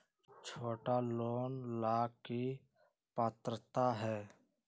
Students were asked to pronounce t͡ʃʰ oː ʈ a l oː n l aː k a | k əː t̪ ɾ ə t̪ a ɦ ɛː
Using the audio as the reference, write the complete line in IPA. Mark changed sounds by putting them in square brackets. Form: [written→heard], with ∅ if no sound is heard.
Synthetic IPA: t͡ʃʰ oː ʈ a l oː n l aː k [a→i] | [k→p] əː t̪ ɾ ə t̪ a ɦ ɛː